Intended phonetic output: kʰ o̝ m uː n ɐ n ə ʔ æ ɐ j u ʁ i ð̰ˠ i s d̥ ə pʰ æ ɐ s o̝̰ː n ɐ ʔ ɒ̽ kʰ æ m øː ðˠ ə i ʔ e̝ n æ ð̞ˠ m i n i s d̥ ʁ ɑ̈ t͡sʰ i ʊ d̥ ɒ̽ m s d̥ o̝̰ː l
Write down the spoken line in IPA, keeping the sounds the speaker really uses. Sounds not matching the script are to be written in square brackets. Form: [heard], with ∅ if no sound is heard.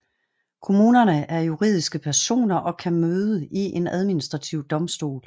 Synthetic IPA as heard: kʰ o̝ m uː n ɐ n ə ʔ æ ɐ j u ʁ i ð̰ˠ i s [ɡ̥] ə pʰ æ ɐ s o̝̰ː n ɐ ʔ ɒ̽ kʰ æ m øː ðˠ ə i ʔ e̝ n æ ð̞ˠ m i n i s d̥ ʁ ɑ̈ t͡sʰ i ʊ d̥ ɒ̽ m s d̥ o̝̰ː l